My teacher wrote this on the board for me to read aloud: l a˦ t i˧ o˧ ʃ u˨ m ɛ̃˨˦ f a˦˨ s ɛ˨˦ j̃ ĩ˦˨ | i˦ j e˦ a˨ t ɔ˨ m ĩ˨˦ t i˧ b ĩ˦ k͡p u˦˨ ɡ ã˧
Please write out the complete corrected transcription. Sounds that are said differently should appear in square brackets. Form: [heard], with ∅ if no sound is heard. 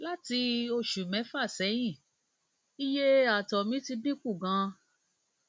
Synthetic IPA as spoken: l a˦ t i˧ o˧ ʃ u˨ m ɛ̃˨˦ f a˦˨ s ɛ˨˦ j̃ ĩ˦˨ | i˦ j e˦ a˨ t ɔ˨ m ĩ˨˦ t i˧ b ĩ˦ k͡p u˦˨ ɡ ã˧